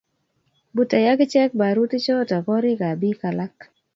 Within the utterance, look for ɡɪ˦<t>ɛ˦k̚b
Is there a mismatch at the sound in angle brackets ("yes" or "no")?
yes